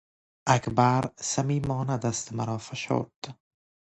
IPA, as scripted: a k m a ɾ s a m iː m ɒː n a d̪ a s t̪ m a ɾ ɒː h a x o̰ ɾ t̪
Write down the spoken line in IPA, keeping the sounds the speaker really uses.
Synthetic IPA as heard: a k b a ɾ s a m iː m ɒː n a d̪ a s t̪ m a ɾ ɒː f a ʃ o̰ ɾ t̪